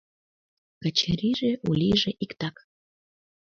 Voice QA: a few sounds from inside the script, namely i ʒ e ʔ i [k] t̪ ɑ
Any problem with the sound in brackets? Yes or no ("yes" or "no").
no